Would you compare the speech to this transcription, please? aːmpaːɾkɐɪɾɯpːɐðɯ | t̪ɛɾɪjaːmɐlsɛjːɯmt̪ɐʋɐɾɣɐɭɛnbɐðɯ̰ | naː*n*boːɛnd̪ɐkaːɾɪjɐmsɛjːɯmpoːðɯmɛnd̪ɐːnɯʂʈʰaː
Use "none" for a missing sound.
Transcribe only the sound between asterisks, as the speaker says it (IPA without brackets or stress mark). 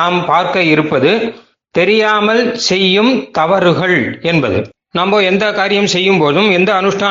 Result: m